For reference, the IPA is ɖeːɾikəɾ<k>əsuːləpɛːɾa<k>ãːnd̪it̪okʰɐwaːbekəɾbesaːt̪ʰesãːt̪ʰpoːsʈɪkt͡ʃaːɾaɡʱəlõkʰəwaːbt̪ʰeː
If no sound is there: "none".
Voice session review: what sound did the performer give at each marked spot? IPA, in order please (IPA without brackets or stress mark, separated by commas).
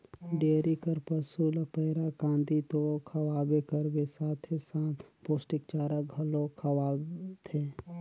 p, k